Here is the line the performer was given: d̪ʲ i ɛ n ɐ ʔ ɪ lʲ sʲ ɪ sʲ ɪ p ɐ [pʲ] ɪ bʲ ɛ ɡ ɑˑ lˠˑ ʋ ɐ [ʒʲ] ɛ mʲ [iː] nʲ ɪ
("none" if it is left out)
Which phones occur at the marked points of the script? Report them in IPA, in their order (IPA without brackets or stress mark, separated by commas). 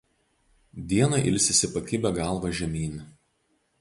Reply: kʲ, ʒʲ, iː